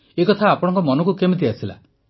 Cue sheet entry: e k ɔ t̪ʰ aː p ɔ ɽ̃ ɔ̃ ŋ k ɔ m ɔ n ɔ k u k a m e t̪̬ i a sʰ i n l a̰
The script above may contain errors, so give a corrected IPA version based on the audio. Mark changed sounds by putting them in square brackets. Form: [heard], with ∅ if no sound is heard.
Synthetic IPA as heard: e k ɔ t̪ʰ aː p ɔ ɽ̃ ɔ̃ ŋ k ɔ m ɔ n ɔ k u k [e] m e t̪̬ i a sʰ i [∅] l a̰